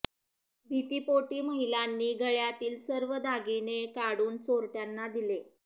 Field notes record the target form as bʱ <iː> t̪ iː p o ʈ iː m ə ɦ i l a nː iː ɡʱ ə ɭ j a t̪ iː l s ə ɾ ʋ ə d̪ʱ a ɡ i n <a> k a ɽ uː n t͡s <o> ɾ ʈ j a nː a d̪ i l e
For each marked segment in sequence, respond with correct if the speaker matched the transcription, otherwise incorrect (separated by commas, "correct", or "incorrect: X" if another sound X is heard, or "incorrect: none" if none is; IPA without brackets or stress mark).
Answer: incorrect: i, incorrect: e, correct